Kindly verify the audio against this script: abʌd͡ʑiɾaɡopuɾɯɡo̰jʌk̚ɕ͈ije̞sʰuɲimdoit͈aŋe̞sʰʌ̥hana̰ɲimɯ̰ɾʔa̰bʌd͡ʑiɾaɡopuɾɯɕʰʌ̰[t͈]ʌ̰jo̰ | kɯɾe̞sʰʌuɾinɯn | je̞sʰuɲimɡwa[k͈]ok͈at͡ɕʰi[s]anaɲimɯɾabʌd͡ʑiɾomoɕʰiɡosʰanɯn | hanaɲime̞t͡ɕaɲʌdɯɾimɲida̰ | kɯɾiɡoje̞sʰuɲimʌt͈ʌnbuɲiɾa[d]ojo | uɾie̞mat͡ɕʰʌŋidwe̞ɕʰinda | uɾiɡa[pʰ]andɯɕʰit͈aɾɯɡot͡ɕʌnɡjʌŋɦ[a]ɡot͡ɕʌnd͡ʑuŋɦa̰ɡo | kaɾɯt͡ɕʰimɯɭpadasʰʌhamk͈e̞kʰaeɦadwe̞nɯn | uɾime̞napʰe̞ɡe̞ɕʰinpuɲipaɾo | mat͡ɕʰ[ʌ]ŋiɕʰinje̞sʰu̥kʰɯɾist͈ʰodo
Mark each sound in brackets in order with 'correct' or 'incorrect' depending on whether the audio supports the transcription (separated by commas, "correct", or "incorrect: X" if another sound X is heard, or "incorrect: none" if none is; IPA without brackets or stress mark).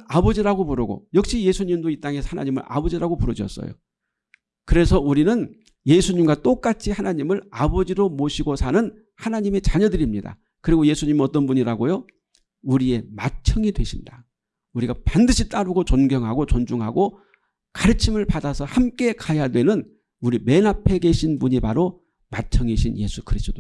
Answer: incorrect: s͈, incorrect: t͈, incorrect: h, incorrect: ɡ, incorrect: p, correct, correct